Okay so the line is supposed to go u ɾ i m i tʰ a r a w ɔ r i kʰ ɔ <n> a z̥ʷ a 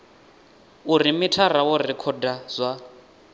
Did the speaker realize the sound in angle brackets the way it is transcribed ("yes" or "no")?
no